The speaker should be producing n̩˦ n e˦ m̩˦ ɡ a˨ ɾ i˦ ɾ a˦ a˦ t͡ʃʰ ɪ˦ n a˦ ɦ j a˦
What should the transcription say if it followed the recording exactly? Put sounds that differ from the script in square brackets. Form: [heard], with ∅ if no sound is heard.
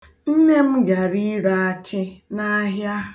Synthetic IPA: n̩˦ n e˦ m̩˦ ɡ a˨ ɾ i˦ ɾ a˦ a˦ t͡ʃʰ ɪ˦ n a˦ ɦ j a˦